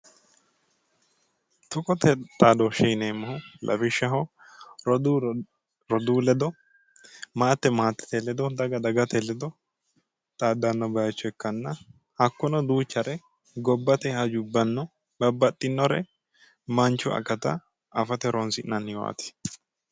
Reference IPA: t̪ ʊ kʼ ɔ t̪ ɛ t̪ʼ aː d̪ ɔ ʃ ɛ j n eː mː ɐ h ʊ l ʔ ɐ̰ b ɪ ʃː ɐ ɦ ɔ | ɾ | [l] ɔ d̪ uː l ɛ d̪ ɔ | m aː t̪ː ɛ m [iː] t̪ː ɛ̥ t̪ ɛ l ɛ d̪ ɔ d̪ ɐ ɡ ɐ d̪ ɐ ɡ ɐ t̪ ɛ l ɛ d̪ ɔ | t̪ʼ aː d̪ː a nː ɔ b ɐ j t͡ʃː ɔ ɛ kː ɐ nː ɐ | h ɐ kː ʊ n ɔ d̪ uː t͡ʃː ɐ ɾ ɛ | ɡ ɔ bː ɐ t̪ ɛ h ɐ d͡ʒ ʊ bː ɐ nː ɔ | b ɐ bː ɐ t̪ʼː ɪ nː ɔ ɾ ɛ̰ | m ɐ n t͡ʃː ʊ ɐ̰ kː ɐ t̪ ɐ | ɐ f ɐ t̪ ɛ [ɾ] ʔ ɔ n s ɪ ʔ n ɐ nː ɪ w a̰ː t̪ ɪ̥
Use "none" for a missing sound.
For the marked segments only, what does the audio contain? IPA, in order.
ɾ, aː, ɾ

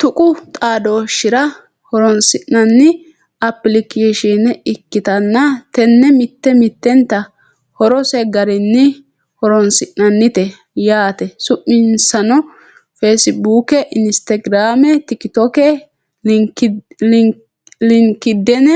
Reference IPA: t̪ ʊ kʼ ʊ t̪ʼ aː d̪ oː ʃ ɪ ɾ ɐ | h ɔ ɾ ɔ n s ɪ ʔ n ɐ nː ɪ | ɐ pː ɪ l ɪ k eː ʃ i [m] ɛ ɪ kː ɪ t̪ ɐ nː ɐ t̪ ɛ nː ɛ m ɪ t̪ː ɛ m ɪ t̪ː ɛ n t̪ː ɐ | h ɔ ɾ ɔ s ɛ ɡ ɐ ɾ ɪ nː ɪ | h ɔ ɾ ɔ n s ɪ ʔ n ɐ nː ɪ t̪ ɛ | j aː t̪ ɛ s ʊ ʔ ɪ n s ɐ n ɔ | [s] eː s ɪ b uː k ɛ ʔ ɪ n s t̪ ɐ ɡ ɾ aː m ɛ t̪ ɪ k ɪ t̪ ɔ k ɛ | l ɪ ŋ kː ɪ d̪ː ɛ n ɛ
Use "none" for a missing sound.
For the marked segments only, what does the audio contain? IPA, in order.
n, f

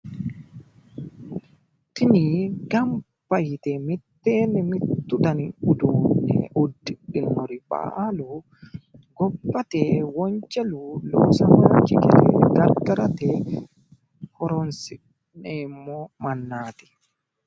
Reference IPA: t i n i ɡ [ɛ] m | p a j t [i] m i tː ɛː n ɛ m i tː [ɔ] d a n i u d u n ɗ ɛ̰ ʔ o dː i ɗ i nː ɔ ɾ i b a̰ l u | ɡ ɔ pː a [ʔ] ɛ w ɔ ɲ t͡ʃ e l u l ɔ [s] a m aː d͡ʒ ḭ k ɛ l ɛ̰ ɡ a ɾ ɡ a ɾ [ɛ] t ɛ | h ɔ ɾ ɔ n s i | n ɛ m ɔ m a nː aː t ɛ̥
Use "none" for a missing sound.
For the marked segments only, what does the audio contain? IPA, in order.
a, ɛ, u, t, s, a

